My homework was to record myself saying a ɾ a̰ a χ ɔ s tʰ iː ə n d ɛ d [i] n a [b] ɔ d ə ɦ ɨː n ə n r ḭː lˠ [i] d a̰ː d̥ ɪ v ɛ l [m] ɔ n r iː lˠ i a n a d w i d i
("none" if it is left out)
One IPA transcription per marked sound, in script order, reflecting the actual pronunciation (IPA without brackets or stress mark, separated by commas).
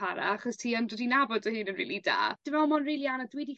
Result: i, b, i, m